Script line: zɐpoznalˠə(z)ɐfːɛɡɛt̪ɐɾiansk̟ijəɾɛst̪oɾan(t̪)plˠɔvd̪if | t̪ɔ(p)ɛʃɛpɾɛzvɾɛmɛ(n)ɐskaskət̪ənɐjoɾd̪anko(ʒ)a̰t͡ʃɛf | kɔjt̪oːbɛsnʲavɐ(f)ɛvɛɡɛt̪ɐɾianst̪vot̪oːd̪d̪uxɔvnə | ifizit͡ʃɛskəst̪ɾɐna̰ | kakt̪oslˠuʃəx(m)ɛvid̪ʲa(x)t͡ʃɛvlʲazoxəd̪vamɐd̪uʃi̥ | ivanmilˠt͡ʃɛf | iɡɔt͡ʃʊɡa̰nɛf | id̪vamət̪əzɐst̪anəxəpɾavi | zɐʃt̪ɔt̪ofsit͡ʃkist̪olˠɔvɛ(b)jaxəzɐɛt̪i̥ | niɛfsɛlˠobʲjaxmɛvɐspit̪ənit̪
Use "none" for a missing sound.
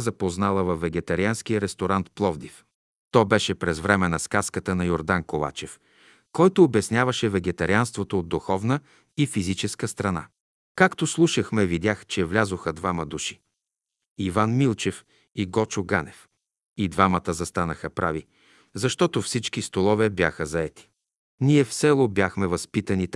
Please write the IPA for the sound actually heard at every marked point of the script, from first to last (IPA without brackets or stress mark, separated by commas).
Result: v, t̪, b, n, v, ʃ, m, x, b